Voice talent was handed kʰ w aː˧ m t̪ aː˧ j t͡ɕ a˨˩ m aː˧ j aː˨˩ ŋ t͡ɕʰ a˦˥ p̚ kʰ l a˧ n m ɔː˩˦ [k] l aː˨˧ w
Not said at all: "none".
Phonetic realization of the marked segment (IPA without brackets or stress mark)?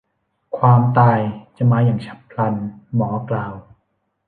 k